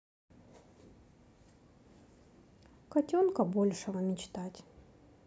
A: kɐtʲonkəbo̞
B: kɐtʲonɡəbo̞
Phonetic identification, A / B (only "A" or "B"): A